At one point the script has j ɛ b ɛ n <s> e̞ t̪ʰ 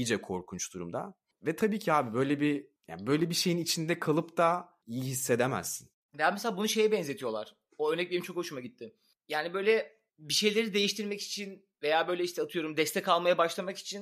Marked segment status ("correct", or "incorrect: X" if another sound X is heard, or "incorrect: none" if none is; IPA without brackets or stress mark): incorrect: z